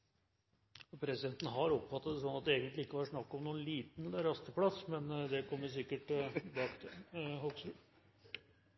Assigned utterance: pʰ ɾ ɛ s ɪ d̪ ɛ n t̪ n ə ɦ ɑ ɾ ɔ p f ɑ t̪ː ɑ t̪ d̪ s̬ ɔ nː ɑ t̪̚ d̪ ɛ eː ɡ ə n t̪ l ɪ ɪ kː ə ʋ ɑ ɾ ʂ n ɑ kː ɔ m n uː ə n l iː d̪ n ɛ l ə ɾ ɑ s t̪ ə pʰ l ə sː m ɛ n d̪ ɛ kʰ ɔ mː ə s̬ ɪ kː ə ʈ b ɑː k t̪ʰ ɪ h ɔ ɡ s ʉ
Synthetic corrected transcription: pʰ ɾ ɛ s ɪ d̪ ɛ n t̪ n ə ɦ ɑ ɾ ɔ p f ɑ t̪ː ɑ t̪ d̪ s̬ ɔ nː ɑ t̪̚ d̪ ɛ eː ɡ ə n t̪ l ɪ ɪ kː ə ʋ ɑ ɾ ʂ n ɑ kː ɔ m n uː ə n l iː t̪ n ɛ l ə ɾ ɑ s t̪ ə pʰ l ɑ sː m ɛ n d̪ ɛ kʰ ɔ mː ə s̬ ɪ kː ə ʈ b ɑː k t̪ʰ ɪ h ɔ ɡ s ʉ